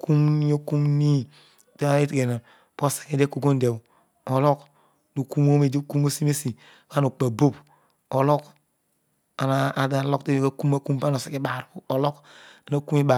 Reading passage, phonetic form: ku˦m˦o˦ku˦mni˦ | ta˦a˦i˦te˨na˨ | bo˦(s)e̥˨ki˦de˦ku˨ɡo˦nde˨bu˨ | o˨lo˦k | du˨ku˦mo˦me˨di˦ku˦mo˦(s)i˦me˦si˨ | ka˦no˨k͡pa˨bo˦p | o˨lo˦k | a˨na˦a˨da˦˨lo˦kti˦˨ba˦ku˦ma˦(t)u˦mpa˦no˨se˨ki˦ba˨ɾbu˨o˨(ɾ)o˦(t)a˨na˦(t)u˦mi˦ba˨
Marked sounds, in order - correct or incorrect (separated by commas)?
correct, correct, incorrect, incorrect, incorrect, incorrect